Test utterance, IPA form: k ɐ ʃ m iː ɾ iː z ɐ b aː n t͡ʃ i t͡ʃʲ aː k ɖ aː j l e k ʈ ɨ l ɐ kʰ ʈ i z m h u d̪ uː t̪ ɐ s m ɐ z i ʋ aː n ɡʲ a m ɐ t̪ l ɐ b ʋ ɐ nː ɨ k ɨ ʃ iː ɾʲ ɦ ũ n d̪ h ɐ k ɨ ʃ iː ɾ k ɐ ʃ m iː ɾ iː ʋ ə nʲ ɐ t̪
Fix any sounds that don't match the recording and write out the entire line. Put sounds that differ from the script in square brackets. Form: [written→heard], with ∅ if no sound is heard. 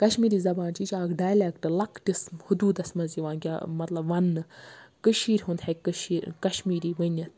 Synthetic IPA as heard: k ɐ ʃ m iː ɾ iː z ɐ b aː n t͡ʃ i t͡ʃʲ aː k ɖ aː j l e k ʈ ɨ l ɐ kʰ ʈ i [z→s] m h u d̪ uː [t̪→d̪] ɐ s m ɐ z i ʋ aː n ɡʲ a m ɐ t̪ l ɐ b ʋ ɐ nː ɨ k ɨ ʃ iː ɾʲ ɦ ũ n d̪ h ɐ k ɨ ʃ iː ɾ k ɐ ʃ m iː ɾ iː ʋ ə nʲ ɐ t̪

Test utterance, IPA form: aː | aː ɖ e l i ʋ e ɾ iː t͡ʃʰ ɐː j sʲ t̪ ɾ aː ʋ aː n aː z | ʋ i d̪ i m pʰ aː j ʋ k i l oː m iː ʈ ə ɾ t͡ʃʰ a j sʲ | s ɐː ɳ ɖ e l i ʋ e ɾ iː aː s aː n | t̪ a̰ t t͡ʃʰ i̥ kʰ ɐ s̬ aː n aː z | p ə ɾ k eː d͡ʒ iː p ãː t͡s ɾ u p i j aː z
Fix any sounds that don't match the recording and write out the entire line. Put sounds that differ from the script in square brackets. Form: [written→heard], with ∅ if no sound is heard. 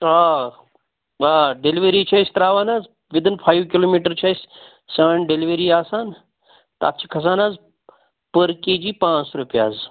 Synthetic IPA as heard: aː | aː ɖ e l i ʋ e ɾ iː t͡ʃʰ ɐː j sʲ t̪ ɾ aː ʋ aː n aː z | ʋ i d̪ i [m→n] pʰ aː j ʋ k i l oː m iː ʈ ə ɾ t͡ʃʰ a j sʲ | s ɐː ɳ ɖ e l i ʋ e ɾ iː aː s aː n | t̪ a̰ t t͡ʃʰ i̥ kʰ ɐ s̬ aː n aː z | p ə ɾ k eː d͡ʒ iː p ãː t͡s ɾ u p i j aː z

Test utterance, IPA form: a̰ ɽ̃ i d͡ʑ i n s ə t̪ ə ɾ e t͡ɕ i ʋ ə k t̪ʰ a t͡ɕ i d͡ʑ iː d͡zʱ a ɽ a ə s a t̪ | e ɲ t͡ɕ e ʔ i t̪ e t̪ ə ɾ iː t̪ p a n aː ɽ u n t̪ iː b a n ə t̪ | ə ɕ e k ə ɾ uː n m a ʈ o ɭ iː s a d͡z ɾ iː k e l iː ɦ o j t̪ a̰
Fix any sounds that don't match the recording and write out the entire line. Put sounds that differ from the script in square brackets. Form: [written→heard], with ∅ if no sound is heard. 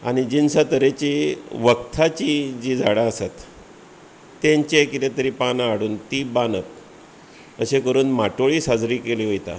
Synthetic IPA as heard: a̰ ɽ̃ i d͡ʑ i n s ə t̪ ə ɾ e t͡ɕ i ʋ ə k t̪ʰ a t͡ɕ i d͡ʑ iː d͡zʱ a ɽ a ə s a t̪ | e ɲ t͡ɕ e [ʔ→k] i t̪ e t̪ ə ɾ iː [t̪→∅] p a n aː ɽ [u→uː] n t̪ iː b a n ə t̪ | ə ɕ e k ə ɾ uː n m a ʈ o ɭ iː s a d͡z ɾ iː k e l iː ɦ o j t̪ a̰

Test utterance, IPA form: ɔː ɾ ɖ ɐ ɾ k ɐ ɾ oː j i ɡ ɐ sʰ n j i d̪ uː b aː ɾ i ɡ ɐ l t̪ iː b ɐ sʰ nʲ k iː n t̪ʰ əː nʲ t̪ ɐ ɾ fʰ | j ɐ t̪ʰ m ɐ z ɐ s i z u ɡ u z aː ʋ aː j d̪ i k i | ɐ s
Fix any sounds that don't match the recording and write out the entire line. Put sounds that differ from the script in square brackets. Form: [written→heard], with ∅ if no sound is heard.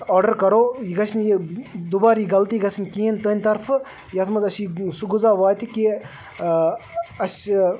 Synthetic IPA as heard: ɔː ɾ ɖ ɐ ɾ k ɐ ɾ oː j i ɡ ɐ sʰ n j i d̪ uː b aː ɾ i ɡ ɐ l t̪ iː [b→ɡ] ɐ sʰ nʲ k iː n [t̪ʰ→t̪] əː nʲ t̪ ɐ ɾ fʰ | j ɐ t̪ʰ m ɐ z ɐ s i [z→s] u ɡ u z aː ʋ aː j [d̪→t̪] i k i | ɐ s

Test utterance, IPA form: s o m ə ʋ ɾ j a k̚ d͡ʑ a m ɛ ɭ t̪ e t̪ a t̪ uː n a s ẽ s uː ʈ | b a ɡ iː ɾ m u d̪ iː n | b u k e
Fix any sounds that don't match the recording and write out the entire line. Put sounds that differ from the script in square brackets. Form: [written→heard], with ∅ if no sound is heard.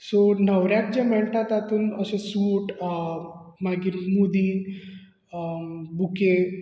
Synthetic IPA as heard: s o [m→n] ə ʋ ɾ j a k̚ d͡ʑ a m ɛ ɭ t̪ [e→a] t̪ a t̪ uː n [a→ə] s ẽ s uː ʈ | [b→m] a ɡ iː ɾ m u d̪ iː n | b u k e

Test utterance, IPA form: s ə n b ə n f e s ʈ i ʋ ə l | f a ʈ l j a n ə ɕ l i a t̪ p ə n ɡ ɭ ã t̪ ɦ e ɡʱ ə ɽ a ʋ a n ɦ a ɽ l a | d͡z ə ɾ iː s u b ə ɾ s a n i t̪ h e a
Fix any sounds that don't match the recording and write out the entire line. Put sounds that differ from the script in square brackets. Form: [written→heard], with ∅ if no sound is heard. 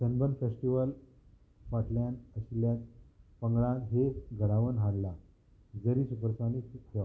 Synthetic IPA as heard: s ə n b ə n f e s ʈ i ʋ ə l | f a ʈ l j a n ə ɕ l [i→j] a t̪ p ə [n→ŋ] ɡ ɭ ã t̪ ɦ e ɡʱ ə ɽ a ʋ [a→ə] n ɦ a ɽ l a | d͡z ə ɾ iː s u [b→p] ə ɾ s a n i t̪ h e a

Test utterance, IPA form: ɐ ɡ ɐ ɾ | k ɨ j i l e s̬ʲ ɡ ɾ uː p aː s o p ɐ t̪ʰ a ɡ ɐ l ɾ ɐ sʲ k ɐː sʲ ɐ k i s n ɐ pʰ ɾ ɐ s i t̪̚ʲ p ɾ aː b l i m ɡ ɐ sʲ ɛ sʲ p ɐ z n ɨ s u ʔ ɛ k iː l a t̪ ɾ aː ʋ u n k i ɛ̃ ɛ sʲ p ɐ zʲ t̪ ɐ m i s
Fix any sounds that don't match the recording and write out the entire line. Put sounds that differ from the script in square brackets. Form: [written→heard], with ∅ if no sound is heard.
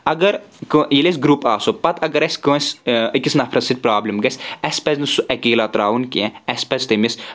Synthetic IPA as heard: ɐ ɡ ɐ ɾ | k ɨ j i l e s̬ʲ ɡ ɾ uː p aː s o p ɐ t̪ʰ [a→ɐ] ɡ ɐ [l→∅] ɾ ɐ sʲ k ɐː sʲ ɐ k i s n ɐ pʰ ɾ ɐ s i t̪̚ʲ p ɾ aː b l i m ɡ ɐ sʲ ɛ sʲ p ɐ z n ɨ s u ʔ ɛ k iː l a t̪ ɾ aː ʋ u n k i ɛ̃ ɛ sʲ p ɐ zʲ t̪ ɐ m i s

